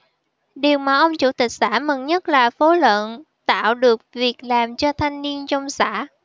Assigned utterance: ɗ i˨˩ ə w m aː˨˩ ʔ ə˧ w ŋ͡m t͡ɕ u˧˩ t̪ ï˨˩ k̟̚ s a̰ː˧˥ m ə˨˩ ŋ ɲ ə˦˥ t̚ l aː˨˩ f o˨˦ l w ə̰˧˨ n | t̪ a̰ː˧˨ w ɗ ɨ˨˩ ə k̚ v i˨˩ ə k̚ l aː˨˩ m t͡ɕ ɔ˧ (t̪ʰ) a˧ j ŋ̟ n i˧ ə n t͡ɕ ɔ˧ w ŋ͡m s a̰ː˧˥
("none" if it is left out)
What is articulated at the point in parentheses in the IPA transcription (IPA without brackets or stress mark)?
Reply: t̪ʰ